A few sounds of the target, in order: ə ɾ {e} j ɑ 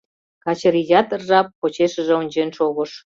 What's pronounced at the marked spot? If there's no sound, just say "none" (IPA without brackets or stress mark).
i